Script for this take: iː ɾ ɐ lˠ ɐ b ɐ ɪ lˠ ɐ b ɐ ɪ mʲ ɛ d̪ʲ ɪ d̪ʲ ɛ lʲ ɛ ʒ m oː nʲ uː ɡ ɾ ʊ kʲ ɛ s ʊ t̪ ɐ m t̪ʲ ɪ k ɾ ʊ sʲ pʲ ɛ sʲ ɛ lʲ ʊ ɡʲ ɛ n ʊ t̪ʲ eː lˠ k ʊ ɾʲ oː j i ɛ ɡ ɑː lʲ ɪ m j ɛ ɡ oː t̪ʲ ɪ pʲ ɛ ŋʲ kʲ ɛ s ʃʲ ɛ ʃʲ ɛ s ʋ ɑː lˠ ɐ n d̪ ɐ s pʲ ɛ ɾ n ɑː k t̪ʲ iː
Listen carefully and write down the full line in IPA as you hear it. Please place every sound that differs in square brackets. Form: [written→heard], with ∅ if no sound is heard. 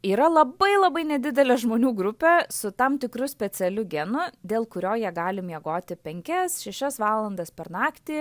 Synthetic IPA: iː ɾ ɐ lˠ ɐ b ɐ ɪ lˠ ɐ b ɐ ɪ [mʲ→nʲ] ɛ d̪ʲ ɪ d̪ʲ ɛ lʲ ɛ ʒ m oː nʲ uː ɡ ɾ ʊ [kʲ→pʲ] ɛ s ʊ t̪ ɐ m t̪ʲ ɪ k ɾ ʊ sʲ pʲ ɛ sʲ ɛ lʲ ʊ ɡʲ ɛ n ʊ [t̪ʲ→d̪ʲ] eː lˠ k ʊ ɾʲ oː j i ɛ ɡ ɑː lʲ ɪ m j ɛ ɡ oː t̪ʲ ɪ pʲ ɛ ŋʲ kʲ ɛ s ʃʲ ɛ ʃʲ ɛ s ʋ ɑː lˠ ɐ n d̪ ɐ s pʲ ɛ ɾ n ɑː k t̪ʲ iː